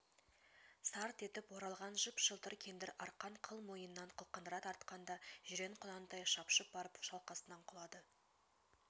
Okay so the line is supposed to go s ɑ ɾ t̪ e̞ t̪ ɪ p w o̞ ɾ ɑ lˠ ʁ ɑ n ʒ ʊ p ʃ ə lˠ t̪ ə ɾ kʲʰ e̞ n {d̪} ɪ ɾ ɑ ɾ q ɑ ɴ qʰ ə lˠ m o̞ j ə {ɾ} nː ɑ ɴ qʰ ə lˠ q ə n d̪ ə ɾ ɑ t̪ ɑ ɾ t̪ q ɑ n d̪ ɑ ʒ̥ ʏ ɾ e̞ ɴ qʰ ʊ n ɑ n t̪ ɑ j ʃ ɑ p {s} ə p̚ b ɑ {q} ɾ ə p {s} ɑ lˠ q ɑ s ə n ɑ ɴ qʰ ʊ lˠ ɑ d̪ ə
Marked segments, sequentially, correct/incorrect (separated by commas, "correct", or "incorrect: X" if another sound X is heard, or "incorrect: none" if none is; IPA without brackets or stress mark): correct, incorrect: none, incorrect: ʃ, incorrect: none, incorrect: ʃ